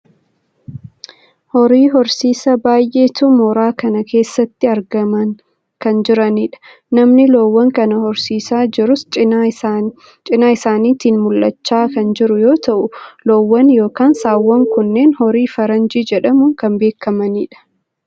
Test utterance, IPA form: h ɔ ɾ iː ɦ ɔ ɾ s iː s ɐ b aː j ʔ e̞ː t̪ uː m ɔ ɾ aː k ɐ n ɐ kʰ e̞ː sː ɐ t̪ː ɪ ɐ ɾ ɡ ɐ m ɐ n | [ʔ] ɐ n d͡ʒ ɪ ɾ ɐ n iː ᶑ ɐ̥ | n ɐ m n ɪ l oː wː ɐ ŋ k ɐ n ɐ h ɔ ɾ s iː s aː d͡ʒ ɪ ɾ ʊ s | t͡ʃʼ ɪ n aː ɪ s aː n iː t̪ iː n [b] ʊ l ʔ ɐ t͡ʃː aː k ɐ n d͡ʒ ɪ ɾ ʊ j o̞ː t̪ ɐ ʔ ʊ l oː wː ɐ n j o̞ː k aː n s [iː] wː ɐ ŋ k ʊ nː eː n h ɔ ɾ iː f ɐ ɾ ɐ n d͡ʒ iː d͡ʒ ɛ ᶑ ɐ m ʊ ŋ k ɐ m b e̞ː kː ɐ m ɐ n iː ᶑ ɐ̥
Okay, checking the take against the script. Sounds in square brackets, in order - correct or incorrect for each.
incorrect: k, incorrect: m, incorrect: aː

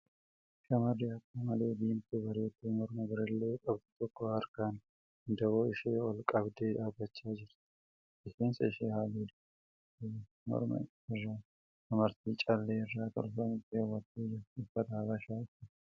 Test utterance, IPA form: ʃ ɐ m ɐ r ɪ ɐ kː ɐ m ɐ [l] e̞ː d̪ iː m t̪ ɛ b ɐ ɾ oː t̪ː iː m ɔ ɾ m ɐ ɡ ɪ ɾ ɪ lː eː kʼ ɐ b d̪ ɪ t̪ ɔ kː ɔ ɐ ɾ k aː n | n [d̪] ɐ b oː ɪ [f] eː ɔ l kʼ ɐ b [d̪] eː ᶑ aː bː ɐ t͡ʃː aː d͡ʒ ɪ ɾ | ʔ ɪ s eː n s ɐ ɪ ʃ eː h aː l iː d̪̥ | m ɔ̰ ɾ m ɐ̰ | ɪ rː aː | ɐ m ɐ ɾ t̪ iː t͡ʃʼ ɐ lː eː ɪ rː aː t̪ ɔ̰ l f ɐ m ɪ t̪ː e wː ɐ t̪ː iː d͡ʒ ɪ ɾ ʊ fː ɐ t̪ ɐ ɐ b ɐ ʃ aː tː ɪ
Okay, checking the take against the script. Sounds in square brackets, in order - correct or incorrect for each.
correct, correct, incorrect: ʃ, correct

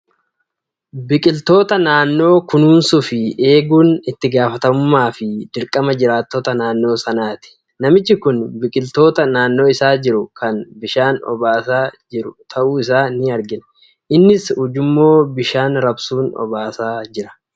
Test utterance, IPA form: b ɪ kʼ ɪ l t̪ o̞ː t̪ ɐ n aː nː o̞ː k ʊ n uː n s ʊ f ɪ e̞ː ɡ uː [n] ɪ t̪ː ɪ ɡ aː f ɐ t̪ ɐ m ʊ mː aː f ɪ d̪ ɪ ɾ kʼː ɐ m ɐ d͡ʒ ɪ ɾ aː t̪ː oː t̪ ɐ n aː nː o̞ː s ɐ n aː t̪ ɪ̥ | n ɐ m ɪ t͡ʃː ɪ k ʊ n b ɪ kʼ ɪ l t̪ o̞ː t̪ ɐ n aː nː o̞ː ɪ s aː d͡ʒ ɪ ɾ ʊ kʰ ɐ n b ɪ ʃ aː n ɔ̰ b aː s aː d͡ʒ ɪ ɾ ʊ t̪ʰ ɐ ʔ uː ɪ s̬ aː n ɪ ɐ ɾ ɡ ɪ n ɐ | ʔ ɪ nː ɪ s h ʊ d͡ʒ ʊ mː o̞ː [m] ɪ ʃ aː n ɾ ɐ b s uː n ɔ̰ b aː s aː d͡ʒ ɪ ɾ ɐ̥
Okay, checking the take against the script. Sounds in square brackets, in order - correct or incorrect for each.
correct, incorrect: b

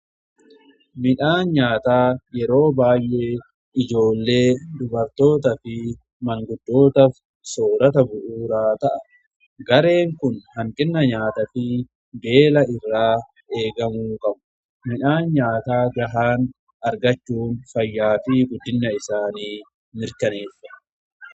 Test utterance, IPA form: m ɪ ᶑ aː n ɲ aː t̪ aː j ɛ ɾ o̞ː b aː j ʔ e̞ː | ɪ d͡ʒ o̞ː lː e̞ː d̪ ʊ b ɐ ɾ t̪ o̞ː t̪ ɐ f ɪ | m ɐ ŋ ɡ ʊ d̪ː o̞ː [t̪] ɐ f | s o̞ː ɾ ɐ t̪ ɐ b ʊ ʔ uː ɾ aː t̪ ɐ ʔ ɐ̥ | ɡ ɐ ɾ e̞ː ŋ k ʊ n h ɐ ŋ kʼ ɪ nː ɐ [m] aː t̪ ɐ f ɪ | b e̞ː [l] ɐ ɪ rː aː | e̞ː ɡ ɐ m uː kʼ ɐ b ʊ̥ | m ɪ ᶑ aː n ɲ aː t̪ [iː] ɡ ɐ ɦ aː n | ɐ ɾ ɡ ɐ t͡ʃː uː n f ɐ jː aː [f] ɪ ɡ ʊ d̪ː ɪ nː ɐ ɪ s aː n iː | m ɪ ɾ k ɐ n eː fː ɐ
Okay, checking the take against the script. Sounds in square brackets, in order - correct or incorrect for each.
correct, incorrect: ɲ, correct, incorrect: aː, correct

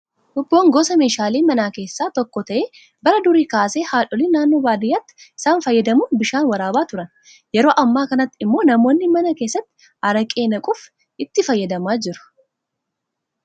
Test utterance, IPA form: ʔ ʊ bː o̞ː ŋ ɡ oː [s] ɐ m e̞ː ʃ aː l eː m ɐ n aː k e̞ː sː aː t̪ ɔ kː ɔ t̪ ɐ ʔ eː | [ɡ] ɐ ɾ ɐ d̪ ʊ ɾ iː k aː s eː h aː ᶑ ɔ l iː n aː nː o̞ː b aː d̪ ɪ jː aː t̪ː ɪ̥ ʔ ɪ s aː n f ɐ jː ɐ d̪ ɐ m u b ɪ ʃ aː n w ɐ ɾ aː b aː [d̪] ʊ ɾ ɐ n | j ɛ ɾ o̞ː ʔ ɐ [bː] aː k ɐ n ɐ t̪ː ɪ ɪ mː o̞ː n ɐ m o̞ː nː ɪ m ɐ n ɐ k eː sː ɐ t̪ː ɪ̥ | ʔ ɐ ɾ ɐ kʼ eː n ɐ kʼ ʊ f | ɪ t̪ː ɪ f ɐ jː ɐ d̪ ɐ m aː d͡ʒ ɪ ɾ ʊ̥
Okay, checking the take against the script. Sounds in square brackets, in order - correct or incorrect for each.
correct, incorrect: b, incorrect: t̪, incorrect: mː

